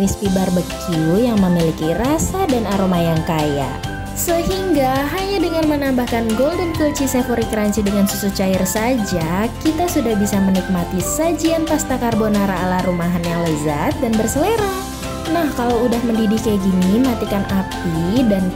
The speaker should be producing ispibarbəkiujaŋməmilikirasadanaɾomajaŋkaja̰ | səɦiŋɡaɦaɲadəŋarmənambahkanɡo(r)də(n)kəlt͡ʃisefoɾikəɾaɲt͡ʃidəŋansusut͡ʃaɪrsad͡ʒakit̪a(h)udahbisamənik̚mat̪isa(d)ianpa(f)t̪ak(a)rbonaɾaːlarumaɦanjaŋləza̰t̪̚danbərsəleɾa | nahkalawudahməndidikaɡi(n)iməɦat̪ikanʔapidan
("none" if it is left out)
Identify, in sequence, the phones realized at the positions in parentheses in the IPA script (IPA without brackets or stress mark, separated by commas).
l, n, s, d͡ʒ, s, a, n